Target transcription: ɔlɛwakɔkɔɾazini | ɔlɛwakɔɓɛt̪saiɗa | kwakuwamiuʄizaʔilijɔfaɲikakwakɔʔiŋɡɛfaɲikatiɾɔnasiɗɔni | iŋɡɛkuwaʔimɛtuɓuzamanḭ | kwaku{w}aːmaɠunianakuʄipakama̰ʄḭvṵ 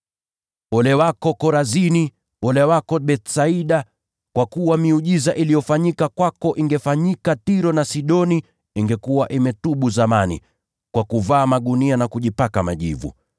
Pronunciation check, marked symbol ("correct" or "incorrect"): incorrect